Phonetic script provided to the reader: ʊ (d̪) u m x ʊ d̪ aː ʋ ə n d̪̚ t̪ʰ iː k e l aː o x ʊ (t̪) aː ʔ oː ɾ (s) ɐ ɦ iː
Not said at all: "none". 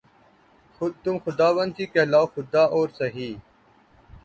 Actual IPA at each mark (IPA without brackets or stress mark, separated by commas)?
t̪, d̪, s